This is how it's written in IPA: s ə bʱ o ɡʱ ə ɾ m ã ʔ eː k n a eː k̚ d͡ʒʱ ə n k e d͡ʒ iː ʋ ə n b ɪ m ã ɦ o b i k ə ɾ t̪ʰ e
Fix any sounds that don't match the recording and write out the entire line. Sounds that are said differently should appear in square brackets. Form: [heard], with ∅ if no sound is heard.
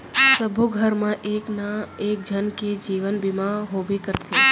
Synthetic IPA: s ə bʱ [u] ɡʱ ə ɾ m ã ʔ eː k n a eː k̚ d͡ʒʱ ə n k e d͡ʒ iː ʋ ə n b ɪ m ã ɦ o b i k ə ɾ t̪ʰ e